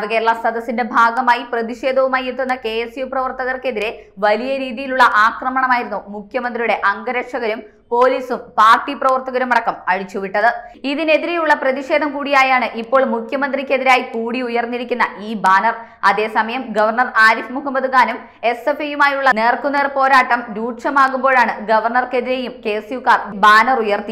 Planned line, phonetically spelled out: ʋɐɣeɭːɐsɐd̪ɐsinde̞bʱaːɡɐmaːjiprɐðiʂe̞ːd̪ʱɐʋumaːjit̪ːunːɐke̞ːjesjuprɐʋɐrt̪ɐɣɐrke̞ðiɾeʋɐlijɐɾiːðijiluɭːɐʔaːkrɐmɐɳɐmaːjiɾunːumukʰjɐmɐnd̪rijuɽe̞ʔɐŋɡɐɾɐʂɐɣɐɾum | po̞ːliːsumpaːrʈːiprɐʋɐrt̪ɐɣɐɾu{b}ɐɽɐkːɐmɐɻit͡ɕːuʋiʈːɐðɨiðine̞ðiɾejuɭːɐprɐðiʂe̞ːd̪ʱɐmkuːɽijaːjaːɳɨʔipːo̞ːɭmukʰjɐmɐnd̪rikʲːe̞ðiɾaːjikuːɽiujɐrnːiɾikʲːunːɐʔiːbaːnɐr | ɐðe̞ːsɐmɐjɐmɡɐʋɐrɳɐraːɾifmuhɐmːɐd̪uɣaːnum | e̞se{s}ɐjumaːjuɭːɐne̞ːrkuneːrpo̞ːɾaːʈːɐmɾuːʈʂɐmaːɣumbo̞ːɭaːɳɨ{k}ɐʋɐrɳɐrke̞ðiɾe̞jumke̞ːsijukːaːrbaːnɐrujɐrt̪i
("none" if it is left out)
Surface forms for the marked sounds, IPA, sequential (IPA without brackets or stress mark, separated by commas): m, f, ɡ